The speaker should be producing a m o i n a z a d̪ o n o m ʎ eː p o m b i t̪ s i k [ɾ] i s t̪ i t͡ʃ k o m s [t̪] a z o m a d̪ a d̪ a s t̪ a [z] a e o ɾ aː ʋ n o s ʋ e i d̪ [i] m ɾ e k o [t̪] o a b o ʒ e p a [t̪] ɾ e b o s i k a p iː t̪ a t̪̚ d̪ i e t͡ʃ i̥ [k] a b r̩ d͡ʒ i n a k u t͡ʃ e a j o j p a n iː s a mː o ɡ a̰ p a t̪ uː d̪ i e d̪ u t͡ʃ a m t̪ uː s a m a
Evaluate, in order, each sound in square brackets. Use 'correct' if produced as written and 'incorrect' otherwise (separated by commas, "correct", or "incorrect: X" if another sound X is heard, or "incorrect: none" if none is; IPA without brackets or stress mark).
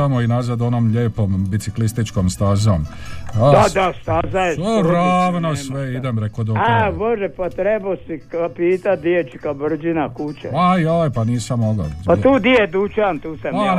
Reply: incorrect: l, correct, correct, incorrect: e, incorrect: d̪, correct, correct